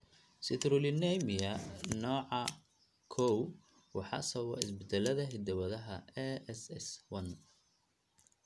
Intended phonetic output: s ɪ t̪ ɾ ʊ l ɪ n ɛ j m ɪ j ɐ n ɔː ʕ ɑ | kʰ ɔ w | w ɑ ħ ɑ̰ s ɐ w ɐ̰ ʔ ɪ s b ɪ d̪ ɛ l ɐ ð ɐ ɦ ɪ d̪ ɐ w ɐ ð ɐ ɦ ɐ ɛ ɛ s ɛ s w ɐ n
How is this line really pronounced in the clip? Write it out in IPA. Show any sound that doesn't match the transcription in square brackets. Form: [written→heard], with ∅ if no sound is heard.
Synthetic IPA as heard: s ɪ t̪ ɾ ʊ l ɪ n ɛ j m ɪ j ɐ n ɔː ʕ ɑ | kʰ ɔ w | w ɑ ħ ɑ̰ s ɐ w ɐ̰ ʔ ɪ s b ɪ d̪ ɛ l ɐ ð ɐ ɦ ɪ d̪ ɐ w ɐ ð ɐ ɦ ɐ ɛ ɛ s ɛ s w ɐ n